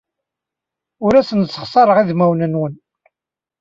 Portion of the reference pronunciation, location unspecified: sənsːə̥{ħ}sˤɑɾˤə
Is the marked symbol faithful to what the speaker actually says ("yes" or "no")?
no